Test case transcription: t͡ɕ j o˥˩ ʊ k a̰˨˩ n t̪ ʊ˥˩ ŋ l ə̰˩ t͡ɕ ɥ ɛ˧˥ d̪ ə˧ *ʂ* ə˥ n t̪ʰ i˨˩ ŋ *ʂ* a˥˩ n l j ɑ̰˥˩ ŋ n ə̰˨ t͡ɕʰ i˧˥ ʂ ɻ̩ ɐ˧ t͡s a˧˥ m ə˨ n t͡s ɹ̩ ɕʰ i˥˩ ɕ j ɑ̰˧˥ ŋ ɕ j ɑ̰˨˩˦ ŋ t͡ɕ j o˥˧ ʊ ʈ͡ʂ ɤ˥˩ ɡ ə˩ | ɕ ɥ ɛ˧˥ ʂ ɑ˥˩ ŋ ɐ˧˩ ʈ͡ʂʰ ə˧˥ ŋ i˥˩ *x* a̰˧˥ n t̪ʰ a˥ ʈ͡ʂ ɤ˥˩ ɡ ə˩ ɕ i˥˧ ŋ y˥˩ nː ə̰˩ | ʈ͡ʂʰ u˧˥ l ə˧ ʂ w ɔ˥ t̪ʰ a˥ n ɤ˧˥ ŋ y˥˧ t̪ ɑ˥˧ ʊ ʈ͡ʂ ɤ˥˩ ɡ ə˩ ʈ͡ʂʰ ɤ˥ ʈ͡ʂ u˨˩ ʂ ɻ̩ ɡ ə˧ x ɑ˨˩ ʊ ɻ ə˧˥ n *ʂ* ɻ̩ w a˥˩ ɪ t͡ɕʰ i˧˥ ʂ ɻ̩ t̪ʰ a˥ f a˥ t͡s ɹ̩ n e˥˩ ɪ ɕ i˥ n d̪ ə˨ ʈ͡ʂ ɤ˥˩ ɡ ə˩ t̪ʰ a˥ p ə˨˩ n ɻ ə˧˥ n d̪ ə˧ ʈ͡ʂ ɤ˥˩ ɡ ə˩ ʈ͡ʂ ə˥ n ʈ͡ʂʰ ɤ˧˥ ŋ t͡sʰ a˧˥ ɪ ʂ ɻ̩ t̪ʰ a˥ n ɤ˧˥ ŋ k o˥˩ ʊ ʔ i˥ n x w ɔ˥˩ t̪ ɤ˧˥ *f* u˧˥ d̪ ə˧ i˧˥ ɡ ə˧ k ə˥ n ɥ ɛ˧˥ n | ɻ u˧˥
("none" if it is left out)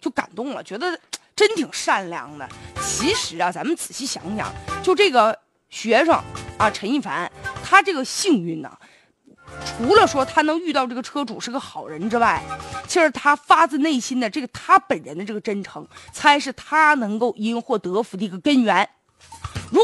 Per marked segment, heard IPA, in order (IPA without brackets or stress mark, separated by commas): ʈ͡ʂ, ʂ, f, ʈ͡ʂ, f